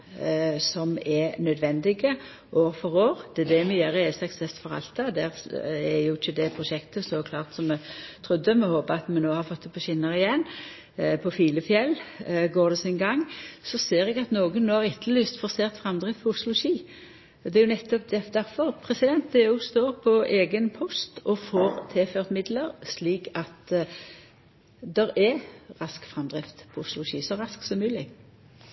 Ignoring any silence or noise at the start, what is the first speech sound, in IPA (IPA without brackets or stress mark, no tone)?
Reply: s